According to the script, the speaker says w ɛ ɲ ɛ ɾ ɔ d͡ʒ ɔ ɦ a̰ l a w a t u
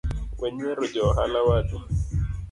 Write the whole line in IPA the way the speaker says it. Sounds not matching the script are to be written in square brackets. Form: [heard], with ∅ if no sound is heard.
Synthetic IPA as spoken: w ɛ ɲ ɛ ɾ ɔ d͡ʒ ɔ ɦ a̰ l a w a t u